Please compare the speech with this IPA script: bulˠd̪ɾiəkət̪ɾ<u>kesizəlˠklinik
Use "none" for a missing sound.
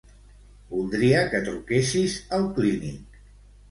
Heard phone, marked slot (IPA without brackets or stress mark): u